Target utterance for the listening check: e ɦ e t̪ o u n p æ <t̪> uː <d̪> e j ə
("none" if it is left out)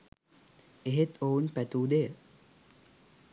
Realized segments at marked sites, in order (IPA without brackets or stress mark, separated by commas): t̪, d̪